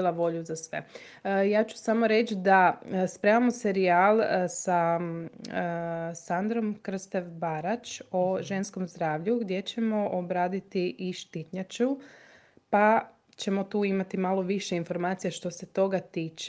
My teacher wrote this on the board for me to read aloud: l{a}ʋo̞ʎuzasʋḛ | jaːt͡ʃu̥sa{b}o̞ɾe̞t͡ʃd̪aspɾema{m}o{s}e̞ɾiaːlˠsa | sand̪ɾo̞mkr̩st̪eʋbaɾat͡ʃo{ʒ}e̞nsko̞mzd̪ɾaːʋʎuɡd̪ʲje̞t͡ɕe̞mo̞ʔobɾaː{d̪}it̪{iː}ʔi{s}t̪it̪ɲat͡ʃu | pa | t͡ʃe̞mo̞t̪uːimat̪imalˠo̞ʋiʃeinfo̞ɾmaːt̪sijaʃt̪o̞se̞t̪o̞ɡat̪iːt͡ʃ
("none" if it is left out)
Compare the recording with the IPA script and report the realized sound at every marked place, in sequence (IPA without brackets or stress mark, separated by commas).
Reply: a, m, m, s, ʒ, d̪, i, ʃ